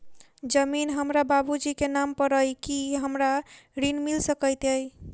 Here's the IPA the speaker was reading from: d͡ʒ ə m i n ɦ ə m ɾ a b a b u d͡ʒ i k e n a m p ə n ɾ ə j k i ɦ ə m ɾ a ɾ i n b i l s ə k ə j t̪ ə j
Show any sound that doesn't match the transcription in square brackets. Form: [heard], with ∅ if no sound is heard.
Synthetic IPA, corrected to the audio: d͡ʒ ə m i n ɦ ə m ɾ a b a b u d͡ʒ i k e n a m p ə [∅] ɾ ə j k i ɦ ə m ɾ a ɾ i n [m] i l s ə k ə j t̪ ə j